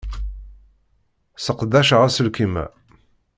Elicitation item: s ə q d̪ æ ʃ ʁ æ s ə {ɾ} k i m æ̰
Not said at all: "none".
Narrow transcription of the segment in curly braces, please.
l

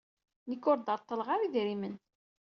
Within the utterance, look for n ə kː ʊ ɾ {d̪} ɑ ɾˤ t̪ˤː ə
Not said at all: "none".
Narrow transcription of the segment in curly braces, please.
d̪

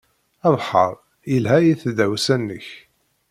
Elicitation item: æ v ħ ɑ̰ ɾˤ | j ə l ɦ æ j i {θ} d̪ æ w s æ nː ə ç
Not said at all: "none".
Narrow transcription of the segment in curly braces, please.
θ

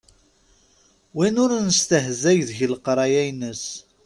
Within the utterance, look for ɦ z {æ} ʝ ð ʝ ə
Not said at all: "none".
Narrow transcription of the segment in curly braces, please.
æ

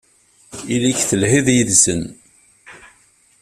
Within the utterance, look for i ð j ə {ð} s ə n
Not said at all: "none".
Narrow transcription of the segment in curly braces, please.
ð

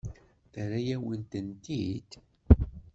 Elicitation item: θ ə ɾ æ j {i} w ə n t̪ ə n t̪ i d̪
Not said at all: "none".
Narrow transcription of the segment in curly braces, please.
æ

